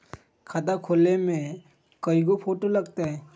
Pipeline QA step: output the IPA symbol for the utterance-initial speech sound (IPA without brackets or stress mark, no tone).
kʰ